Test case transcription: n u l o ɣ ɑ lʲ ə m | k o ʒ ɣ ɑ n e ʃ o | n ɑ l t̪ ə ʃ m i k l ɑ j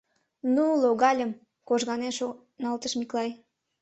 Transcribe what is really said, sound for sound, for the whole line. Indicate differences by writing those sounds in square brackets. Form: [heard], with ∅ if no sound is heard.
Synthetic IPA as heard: n u l o ɣ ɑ lʲ ə m | k o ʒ ɣ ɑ n e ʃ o | n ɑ l t̪ ə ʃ m i k l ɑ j